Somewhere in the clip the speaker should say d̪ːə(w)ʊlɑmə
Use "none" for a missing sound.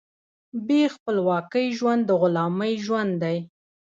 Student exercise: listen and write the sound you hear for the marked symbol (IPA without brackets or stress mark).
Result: ɣ